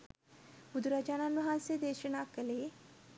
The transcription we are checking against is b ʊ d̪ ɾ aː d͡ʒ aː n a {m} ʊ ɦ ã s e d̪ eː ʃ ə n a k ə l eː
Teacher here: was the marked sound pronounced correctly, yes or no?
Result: no